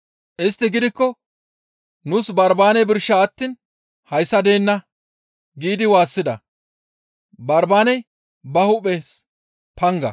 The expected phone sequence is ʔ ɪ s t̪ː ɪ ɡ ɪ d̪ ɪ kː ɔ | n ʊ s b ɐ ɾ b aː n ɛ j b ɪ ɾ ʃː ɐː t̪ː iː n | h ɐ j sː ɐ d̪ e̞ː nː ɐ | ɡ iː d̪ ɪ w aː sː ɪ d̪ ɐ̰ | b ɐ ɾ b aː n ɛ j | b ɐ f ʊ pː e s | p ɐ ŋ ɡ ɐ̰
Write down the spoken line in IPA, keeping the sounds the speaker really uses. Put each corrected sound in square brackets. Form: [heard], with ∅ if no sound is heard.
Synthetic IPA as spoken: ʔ ɪ s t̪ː ɪ ɡ ɪ d̪ ɪ kː ɔ | n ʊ s b ɐ ɾ b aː n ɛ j b ɪ ɾ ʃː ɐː t̪ː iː n | h ɐ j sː ɐ d̪ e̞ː nː ɐ | ɡ iː d̪ ɪ w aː sː ɪ d̪ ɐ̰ | b ɐ ɾ b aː n ɛ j | b ɐ [h] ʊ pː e s | p ɐ ŋ ɡ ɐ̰